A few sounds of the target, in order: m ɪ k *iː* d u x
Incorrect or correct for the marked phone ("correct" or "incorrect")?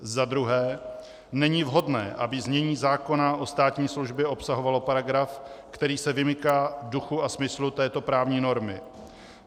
incorrect